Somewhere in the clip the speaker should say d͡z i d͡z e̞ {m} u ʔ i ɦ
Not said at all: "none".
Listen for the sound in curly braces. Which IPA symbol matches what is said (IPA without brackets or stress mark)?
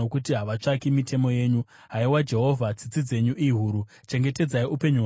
ɲ